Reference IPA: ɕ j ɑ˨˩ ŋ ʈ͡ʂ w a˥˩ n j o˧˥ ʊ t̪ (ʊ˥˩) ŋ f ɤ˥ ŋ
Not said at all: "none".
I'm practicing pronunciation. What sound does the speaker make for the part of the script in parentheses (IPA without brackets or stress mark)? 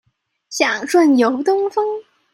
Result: ʊ˥